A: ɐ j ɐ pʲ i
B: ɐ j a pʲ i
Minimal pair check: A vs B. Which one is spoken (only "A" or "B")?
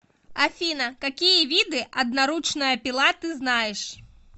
A